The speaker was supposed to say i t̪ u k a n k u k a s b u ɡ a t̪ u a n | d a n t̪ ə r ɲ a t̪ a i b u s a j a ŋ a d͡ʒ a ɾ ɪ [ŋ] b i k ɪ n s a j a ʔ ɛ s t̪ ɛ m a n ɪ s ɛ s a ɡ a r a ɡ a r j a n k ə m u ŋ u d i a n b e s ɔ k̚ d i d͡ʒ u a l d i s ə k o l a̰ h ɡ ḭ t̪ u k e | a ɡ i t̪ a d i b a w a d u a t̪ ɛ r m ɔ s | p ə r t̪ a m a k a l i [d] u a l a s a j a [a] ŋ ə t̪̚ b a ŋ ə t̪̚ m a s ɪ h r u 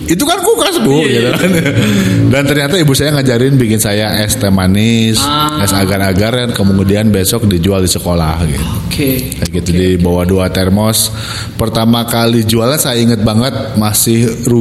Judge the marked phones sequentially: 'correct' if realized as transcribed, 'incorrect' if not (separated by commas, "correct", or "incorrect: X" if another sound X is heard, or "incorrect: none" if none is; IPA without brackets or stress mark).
incorrect: n, incorrect: d͡ʒ, incorrect: i